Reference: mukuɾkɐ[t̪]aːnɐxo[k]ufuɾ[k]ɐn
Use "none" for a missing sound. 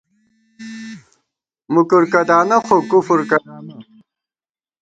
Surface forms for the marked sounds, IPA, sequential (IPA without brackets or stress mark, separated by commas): d̪, k, k